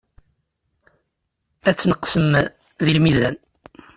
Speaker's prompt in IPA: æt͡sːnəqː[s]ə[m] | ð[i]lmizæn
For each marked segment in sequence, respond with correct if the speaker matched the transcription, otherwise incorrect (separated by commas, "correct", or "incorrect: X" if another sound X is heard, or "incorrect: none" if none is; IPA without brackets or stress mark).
correct, correct, correct